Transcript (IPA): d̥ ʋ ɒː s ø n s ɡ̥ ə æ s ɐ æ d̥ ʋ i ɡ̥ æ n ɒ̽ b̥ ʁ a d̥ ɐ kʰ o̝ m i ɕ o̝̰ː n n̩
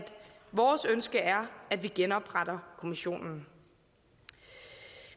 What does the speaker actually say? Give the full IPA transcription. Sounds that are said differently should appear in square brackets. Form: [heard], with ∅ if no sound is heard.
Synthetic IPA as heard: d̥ ʋ ɒː s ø n s ɡ̥ ə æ [∅] ɐ æ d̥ ʋ i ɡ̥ [e] n ɒ̽ b̥ ʁ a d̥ ɐ kʰ o̝ m i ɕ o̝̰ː n n̩